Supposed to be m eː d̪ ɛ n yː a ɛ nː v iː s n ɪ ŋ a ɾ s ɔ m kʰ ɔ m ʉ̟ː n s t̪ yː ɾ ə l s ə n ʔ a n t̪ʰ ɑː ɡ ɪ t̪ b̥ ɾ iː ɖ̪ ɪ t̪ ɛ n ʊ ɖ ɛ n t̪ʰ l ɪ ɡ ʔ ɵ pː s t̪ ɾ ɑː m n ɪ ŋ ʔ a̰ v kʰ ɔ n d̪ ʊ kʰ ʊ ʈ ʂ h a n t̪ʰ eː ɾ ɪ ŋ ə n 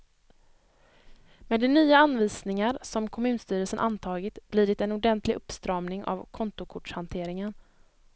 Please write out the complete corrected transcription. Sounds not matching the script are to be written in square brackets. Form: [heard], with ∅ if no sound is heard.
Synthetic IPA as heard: m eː d̪ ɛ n yː a [a] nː v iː s n ɪ ŋ a ɾ s ɔ m kʰ ɔ m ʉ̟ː n s t̪ yː ɾ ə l s ə n ʔ a n t̪ʰ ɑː ɡ ɪ t̪ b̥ [l] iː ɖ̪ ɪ t̪ ɛ n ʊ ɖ ɛ n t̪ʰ l ɪ ɡ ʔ ɵ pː s t̪ ɾ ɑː m n ɪ ŋ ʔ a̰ v kʰ ɔ n [t̪] ʊ kʰ ʊ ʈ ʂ h a n t̪ʰ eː ɾ ɪ ŋ ə n